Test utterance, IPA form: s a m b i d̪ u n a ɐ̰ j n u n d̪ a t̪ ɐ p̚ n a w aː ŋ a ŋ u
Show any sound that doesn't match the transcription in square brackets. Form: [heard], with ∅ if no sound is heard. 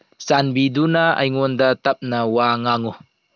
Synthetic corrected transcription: s a [n] b i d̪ u n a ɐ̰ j [ŋ] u n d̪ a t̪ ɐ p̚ n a w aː ŋ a ŋ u